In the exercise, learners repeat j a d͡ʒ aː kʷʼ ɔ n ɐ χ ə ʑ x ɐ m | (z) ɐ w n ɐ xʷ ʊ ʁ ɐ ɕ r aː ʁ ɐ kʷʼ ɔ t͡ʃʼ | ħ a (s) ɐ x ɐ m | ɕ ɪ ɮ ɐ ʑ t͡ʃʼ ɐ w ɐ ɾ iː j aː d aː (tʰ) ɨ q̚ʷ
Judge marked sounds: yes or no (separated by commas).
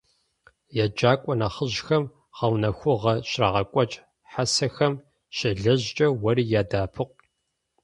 no, yes, no